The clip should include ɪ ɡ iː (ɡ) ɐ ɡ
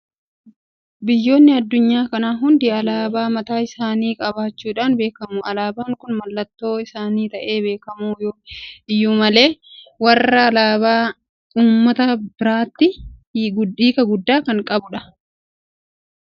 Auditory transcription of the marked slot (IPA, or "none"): k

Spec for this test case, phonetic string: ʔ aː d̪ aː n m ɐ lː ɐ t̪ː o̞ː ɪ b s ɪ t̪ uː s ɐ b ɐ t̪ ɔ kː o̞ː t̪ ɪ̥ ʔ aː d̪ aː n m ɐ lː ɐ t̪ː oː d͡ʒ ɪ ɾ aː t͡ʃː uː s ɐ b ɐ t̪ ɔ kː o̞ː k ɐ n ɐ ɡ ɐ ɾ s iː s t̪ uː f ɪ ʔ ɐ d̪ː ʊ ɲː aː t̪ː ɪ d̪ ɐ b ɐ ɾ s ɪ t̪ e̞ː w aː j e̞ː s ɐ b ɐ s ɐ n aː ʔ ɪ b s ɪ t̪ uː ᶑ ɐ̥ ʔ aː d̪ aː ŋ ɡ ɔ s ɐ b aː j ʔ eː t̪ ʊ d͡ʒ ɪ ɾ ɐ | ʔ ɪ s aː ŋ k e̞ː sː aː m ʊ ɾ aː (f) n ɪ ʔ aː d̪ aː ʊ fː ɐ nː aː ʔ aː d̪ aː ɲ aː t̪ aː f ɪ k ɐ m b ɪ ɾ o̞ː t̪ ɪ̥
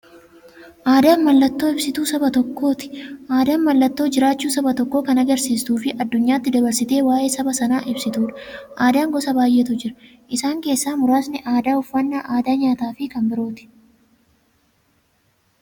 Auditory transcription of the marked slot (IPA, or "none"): s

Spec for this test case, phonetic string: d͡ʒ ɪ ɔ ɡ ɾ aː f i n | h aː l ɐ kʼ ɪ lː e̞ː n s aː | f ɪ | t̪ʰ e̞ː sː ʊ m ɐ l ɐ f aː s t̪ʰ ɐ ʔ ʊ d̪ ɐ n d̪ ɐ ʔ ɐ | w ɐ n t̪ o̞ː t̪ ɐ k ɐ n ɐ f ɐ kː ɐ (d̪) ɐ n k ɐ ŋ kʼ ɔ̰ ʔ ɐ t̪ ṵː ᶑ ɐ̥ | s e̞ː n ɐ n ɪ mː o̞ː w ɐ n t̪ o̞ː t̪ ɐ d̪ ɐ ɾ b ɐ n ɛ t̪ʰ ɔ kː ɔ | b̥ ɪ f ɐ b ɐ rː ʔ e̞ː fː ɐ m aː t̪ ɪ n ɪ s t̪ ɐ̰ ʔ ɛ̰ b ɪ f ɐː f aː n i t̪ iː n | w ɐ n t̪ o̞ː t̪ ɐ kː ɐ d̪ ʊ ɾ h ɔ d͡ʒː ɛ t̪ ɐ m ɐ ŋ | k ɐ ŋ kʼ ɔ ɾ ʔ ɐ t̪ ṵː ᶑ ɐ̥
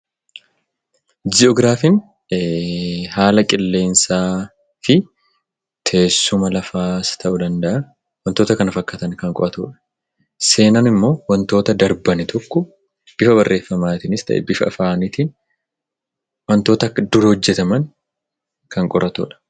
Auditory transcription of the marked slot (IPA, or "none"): t̪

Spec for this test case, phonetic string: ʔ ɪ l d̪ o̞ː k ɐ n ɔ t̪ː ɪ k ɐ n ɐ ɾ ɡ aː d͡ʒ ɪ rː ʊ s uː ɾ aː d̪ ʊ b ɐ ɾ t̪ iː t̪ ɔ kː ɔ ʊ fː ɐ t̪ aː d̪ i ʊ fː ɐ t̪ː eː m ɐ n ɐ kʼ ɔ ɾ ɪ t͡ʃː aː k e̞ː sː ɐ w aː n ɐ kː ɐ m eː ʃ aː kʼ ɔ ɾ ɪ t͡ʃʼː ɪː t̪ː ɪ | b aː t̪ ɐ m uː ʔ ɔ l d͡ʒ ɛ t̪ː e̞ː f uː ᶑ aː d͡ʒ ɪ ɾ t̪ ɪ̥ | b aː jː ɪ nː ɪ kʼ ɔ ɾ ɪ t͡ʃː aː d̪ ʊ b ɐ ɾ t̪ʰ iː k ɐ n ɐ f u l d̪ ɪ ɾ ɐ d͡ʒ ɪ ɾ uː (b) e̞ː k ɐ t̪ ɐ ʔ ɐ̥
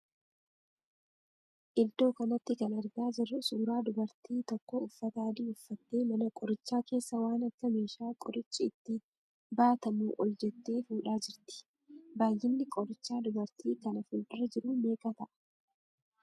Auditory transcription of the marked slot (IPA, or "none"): m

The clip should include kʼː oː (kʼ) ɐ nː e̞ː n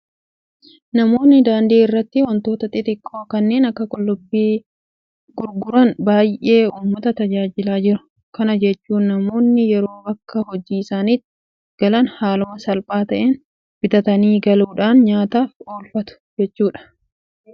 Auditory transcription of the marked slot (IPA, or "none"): k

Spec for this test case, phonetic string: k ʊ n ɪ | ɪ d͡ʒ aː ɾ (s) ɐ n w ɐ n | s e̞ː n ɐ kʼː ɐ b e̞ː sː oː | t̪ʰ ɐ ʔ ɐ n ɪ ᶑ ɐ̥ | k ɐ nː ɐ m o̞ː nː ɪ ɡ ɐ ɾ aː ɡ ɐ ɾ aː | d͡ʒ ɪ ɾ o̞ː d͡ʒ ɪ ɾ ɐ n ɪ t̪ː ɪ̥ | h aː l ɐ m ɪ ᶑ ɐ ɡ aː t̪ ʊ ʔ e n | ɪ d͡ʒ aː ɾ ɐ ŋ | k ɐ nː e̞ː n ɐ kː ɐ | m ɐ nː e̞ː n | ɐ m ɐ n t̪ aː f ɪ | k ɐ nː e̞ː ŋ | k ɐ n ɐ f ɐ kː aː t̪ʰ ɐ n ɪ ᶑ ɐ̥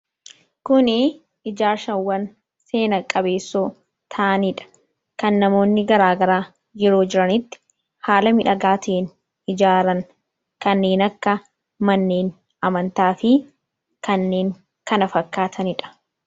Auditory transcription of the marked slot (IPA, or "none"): ʃ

